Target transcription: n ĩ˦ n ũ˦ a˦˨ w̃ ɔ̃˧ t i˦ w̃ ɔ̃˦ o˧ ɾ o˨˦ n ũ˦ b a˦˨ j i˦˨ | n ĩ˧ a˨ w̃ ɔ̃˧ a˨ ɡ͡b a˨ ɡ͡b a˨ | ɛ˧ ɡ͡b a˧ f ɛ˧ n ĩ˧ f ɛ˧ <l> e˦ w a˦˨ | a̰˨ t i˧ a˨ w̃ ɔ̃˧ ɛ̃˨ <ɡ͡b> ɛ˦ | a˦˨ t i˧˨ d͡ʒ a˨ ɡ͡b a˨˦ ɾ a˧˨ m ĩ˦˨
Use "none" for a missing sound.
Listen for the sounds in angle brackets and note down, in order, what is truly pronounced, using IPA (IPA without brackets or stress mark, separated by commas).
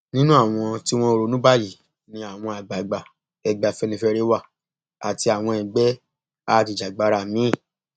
ɾ, ɡ͡b